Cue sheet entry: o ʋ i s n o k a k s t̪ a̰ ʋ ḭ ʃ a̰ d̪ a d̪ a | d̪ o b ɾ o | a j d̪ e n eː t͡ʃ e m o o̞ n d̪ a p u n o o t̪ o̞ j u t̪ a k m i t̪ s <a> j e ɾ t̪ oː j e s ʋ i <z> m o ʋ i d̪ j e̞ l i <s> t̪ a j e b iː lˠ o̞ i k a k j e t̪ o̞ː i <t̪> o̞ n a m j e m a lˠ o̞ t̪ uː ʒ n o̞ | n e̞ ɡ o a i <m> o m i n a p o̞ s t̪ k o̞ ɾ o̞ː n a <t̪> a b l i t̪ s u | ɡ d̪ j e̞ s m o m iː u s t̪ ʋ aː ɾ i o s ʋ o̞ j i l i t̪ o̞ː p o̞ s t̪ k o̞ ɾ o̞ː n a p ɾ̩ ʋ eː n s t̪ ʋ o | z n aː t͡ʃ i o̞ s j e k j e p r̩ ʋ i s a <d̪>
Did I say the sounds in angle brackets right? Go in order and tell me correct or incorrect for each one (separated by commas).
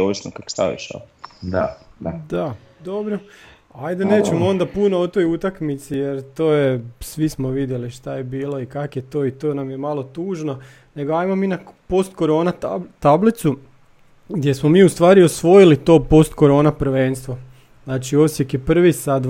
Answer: incorrect, incorrect, incorrect, correct, correct, correct, correct